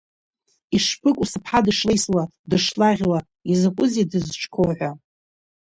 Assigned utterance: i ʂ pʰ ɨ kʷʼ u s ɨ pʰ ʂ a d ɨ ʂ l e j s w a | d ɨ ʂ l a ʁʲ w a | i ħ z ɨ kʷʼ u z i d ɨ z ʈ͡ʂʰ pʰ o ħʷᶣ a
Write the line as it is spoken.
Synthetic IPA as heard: i ʂ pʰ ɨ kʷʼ u s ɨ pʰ ħ a d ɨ ʂ l e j s w a | d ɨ ʂ l a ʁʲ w a | i z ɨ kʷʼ ʊ z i d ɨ z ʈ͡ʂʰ kʰ o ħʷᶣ a